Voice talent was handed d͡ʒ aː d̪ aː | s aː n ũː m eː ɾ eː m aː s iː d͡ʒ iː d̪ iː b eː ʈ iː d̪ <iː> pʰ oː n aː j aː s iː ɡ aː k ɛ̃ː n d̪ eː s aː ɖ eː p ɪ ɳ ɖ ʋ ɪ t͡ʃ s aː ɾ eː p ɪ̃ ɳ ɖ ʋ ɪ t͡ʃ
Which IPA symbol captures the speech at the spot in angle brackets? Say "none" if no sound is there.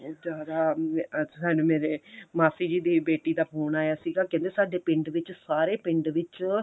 aː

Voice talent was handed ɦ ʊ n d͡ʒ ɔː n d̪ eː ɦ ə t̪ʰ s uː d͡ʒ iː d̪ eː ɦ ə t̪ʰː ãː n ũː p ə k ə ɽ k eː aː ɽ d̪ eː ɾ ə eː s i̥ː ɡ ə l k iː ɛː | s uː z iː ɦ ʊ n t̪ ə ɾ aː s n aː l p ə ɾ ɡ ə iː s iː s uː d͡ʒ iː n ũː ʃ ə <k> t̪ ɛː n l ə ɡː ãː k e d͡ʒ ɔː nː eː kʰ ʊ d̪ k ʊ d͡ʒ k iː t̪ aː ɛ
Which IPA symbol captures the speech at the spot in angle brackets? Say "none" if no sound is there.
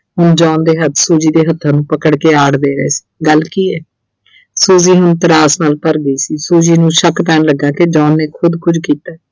k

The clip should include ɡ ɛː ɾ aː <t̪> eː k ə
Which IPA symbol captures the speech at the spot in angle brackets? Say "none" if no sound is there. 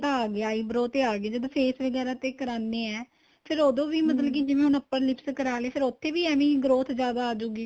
t̪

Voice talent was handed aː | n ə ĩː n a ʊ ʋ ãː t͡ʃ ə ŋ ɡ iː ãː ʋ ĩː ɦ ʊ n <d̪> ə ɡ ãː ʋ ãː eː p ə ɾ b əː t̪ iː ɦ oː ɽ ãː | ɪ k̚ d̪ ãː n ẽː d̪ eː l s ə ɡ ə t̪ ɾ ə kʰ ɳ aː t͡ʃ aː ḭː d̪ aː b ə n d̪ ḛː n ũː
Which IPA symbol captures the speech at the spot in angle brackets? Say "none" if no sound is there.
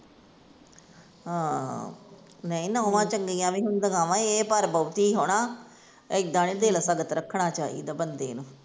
d̪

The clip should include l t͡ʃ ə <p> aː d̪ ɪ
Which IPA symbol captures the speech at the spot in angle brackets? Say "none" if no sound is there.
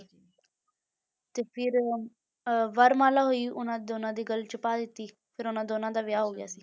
p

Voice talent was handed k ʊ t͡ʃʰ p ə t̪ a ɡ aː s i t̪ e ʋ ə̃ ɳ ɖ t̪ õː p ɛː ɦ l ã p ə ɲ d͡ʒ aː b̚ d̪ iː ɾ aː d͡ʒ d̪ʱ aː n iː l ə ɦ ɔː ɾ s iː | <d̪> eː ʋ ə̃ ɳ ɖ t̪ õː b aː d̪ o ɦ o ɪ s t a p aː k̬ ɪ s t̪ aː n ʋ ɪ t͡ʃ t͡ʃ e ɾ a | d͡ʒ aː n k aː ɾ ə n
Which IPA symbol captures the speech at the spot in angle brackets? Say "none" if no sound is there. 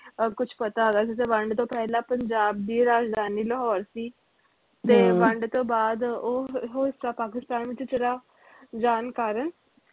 t̪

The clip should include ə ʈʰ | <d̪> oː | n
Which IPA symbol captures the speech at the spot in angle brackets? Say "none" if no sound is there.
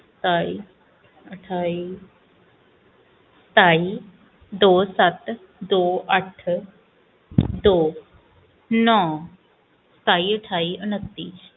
d̪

